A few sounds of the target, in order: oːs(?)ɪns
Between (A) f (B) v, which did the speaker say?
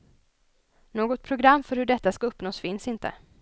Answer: A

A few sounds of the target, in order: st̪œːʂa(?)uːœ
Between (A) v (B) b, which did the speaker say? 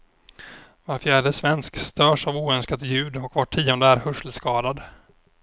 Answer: A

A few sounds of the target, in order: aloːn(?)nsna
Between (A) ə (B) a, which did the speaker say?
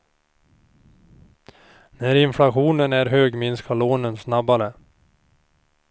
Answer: A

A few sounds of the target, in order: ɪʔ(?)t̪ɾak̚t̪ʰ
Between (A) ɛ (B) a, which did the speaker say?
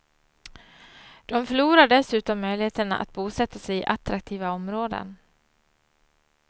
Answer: B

